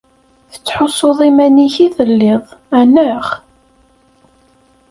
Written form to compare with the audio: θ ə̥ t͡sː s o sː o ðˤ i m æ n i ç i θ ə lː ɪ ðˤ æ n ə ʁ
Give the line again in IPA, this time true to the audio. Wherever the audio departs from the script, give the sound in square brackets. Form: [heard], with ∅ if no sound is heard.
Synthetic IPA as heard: θ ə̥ t͡sː [ħ] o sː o ðˤ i m æ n i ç i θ ə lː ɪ ðˤ æ n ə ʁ